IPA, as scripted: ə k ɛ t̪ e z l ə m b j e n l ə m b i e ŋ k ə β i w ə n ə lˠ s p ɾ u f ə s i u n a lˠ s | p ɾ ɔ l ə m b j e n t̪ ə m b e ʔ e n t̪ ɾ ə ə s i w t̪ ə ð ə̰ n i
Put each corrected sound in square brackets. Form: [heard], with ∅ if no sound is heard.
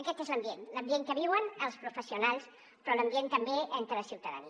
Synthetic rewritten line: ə k ɛ t̪ e z l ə m b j e n l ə m b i e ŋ k ə β i w ə n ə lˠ s p ɾ u f ə s i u n a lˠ s | p ɾ ɔ l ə m b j e n t̪ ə m b e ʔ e n t̪ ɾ ə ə s i w t̪ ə ð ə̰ n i